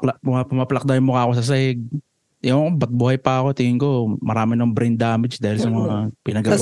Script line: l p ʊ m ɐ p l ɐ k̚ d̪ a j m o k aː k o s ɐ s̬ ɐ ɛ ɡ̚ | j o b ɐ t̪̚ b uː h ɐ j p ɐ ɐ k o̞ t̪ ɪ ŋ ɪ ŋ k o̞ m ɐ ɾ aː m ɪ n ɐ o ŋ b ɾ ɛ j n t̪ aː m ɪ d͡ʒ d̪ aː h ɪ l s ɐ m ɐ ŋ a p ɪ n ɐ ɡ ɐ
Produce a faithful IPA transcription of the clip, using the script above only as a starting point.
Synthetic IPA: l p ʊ m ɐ p l ɐ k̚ d̪ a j m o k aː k o s ɐ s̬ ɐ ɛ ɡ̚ | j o b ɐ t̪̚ b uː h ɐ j p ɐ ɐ k o̞ t̪ ɪ ŋ ɪ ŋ k o̞ m ɐ ɾ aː m ɪ n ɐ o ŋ b ɾ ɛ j n d̪ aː m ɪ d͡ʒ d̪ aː h ɪ l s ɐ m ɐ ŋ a p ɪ n ɐ ɡ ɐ